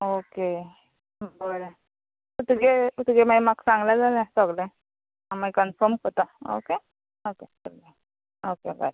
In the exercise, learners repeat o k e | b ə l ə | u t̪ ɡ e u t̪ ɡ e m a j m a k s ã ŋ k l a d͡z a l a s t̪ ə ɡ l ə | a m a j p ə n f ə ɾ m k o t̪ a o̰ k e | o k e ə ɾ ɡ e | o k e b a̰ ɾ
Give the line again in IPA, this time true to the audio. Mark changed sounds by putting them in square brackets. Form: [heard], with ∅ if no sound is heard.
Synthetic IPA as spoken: o k e | b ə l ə | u t̪ ɡ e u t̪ ɡ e m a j m a k s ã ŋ [ɡ] l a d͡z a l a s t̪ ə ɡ l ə | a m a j [k] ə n f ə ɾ m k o t̪ a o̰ k e | o k e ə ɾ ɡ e | o k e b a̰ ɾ

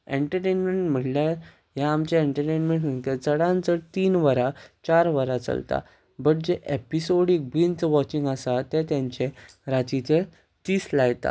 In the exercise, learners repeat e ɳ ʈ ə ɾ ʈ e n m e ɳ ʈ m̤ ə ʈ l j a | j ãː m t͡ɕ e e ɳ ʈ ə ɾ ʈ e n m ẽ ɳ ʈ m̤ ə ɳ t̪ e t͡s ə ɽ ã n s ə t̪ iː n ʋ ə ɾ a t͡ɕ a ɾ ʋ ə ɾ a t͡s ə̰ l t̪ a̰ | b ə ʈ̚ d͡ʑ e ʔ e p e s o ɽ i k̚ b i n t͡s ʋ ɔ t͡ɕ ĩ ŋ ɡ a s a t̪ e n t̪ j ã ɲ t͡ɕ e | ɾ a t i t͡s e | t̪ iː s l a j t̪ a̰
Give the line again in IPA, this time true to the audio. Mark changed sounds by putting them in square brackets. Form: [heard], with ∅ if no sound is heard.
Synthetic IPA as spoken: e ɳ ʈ ə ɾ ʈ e n m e ɳ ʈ m̤ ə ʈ l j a | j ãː m t͡ɕ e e ɳ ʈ ə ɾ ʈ e n m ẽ ɳ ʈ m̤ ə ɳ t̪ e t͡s ə ɽ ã n [t͡s] ə t̪ iː n ʋ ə ɾ a t͡ɕ a ɾ ʋ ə ɾ a t͡s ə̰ l t̪ a̰ | b ə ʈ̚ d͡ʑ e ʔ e p [i] s o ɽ i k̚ b i n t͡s ʋ ɔ t͡ɕ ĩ ŋ ɡ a s a t̪ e [∅] t̪ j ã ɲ t͡ɕ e | ɾ a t i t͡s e | t̪ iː s l a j t̪ a̰

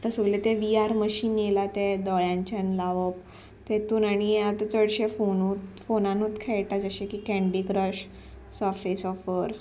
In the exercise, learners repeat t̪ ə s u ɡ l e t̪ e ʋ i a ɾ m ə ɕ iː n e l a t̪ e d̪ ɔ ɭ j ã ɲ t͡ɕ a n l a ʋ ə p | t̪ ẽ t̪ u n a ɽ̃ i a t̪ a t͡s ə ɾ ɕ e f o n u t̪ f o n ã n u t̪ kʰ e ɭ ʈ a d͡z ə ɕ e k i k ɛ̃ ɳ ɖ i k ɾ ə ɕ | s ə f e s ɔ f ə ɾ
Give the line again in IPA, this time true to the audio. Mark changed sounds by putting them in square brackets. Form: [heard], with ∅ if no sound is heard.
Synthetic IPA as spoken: t̪ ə s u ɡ l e t̪ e ʋ i a ɾ m ə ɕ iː n e l a t̪ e d̪ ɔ ɭ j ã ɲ t͡ɕ a n l a ʋ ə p | t̪ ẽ t̪ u n a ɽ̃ i a t̪ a t͡s ə [ɽ] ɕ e f o n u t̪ f o n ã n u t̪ kʰ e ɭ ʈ a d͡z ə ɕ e k i k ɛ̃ ɳ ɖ i k ɾ ə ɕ | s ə f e s ɔ f ə ɾ

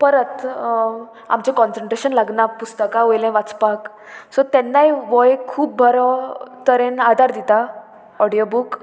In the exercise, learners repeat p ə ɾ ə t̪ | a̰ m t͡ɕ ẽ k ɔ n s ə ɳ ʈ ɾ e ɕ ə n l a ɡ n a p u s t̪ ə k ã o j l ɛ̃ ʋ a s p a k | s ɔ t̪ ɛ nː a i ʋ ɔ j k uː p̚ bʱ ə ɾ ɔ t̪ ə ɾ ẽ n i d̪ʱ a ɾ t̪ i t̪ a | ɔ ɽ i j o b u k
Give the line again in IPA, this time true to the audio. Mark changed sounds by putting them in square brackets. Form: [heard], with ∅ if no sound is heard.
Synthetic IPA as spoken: p ə ɾ ə t̪ | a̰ m t͡ɕ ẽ k ɔ n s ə ɳ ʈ ɾ e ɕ ə n l a ɡ n a p u s t̪ ə k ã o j l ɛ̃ ʋ a [t͡s] p a k | s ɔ t̪ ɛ nː a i ʋ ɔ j [kʰ] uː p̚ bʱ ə ɾ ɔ t̪ ə ɾ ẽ n [a] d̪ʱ a ɾ [d̪] i t̪ a | ɔ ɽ i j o b u k

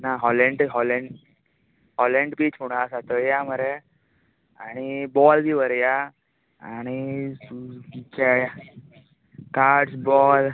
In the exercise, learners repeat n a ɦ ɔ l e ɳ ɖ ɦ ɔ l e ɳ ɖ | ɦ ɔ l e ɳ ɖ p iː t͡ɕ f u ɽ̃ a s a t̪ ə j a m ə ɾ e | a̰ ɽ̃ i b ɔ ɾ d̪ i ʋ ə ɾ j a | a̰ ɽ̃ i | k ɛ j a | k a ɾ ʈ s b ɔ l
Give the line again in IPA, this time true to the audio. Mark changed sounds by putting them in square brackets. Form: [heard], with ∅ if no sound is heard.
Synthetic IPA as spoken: n a ɦ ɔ l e ɳ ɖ ɦ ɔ l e ɳ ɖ | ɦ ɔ l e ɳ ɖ p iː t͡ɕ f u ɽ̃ a s a t̪ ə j a m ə ɾ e | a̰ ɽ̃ i b ɔ [l] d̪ i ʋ ə ɾ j a | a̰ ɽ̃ i | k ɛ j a | k a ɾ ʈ s b ɔ l

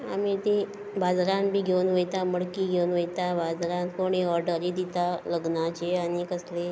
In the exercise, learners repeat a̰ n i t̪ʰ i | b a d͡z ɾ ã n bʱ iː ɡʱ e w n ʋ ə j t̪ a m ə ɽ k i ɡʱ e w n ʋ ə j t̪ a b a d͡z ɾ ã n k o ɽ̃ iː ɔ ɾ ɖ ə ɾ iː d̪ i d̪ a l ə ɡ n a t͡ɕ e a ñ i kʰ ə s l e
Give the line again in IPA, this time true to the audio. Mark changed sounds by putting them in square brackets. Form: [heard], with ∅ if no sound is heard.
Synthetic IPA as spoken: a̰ [m] i [t̪] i | b a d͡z ɾ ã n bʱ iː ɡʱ e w n ʋ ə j t̪ a m ə ɽ k i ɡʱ e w n ʋ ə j t̪ a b a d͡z ɾ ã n k o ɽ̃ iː ɔ ɾ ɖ ə ɾ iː d̪ i [t̪] a l ə ɡ n a t͡ɕ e a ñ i [k] ə s l e

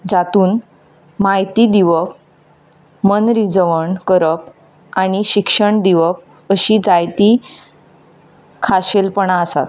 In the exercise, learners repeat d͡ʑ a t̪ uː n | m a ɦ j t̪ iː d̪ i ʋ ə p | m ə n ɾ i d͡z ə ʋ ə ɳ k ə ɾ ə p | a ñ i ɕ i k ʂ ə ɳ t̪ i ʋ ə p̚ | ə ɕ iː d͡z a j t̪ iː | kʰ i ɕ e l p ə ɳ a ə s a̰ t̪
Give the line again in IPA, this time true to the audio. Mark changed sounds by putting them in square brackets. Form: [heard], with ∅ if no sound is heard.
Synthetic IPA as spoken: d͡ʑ a t̪ uː n | m a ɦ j t̪ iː d̪ i ʋ ə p | m ə n ɾ i d͡z ə ʋ ə ɳ k ə ɾ ə p | a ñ i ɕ i k ʂ ə ɳ [d̪] i ʋ ə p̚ | ə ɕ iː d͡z a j t̪ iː | kʰ [a] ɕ e l p ə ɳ a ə s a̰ t̪

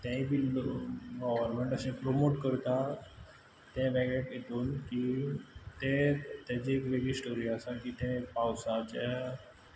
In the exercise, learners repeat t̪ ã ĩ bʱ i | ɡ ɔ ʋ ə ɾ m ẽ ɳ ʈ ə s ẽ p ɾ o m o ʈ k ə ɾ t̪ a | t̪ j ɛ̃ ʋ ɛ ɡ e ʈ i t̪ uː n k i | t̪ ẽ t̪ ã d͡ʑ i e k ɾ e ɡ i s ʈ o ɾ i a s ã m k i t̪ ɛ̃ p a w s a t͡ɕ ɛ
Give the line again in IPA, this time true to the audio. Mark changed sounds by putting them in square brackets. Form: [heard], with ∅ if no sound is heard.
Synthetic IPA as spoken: t̪ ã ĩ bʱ i | ɡ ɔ ʋ ə ɾ m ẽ ɳ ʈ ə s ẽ p ɾ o m o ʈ k ə ɾ t̪ a | t̪ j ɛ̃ ʋ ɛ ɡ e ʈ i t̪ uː n k i | t̪ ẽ t̪ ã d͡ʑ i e k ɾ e ɡ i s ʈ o ɾ i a s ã [∅] k i t̪ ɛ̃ p a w s a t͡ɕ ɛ

